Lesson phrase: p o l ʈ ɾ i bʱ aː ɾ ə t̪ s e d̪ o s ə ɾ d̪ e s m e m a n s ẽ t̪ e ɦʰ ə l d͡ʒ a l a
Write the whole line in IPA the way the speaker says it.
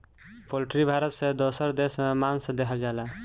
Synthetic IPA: p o l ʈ ɾ i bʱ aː ɾ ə t̪ s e d̪ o s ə ɾ d̪ e s m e m a n s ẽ d̪ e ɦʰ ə l d͡ʒ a l a